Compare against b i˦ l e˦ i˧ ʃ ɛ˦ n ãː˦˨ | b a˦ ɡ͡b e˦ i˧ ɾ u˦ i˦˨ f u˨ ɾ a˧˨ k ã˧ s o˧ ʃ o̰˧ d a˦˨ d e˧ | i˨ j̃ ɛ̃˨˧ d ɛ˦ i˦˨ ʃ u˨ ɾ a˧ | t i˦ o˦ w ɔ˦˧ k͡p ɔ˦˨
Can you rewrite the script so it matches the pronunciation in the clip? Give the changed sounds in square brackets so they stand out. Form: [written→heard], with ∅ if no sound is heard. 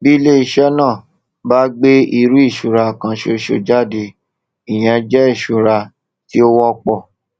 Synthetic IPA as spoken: b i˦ l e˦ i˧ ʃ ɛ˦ n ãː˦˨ | b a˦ ɡ͡b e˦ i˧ ɾ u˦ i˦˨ [f→ʃ] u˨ ɾ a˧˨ k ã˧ [s→ʃ] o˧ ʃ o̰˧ [d→d͡ʒ] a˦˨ d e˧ | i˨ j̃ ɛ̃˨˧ [d→d͡ʒ] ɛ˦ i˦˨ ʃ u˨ ɾ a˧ | t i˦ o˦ w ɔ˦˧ k͡p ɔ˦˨